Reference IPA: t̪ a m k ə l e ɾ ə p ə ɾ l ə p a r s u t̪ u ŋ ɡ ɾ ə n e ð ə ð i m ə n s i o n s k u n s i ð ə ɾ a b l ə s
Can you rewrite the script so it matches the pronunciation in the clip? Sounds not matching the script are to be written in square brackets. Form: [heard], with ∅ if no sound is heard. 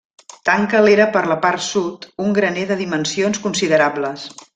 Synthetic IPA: t̪ a [ŋ] k ə l e ɾ ə p ə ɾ l ə p a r s u t̪ u ŋ ɡ ɾ ə n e ð ə ð i m ə n s i o n s k u n s i ð ə ɾ a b l ə s